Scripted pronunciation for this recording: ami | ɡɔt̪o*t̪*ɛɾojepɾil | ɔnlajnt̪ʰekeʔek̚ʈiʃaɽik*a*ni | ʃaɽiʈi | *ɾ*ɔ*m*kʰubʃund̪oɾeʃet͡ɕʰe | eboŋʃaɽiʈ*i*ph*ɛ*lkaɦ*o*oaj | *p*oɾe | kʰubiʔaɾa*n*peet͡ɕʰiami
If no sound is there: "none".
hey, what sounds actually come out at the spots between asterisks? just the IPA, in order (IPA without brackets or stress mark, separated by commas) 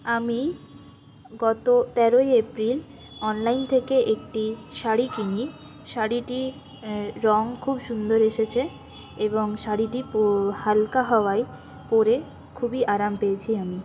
t̪, i, ɾ, ŋ, i, a, ɔ, p, m